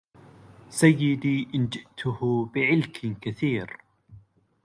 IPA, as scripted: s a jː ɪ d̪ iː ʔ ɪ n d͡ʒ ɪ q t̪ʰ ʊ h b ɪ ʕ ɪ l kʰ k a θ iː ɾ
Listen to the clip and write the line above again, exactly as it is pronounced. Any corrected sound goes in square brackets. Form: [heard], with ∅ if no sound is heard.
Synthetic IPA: s a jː ɪ d̪ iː ʔ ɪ n d͡ʒ ɪ [ʔ] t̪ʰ ʊ h b ɪ ʕ ɪ l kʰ k a θ iː ɾ